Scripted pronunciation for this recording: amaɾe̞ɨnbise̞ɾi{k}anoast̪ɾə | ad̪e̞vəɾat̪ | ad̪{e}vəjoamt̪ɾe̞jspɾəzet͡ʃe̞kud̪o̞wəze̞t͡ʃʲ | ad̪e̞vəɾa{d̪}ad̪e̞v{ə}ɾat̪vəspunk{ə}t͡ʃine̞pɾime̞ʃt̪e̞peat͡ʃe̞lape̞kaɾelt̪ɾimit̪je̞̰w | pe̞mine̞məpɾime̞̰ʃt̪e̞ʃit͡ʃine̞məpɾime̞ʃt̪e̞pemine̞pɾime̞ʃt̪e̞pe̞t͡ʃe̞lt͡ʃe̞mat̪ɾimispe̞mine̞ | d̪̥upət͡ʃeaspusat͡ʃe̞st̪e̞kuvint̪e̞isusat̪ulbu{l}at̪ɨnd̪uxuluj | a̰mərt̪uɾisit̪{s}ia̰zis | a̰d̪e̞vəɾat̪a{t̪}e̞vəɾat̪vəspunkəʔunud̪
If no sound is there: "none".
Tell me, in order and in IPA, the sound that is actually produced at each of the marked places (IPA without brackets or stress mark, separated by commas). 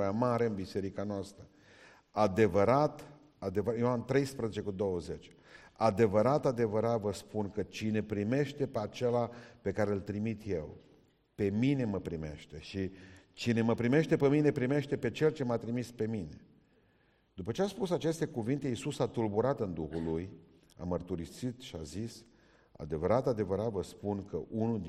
k, e, t̪, ə, ə, ɾ, ʃ, d̪